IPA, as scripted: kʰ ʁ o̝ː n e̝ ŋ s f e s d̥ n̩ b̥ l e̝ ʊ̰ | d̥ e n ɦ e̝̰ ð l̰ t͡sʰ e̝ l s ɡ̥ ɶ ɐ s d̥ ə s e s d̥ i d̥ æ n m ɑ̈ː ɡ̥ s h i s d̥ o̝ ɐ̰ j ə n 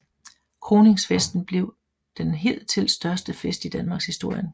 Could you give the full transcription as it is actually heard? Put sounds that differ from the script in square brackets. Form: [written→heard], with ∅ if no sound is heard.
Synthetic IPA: kʰ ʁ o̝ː n e̝ ŋ s f e s d̥ n̩ b̥ l e̝ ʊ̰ | d̥ e n ɦ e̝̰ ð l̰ t͡sʰ e̝ l s [ɡ̥→d̥] ɶ ɐ s d̥ ə [s→f] e s d̥ i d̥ æ n m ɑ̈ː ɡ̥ s h i s d̥ o̝ ɐ̰ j ə n